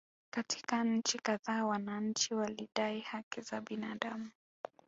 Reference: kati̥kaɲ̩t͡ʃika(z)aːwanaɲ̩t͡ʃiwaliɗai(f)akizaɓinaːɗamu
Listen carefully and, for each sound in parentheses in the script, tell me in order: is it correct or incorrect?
incorrect, incorrect

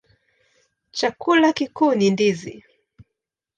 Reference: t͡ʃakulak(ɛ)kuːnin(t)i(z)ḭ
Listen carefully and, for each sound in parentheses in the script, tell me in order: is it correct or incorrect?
incorrect, incorrect, correct

